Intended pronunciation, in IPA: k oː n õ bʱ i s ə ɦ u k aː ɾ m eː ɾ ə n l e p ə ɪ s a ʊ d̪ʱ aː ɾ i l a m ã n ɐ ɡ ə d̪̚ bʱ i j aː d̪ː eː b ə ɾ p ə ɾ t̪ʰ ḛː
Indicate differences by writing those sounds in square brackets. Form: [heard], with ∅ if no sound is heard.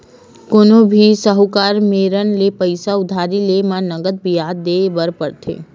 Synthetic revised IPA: k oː n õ bʱ i s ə ɦ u k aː ɾ m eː ɾ ə n l e p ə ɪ s a ʊ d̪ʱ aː ɾ i l [e] m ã n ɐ ɡ ə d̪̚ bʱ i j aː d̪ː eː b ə ɾ p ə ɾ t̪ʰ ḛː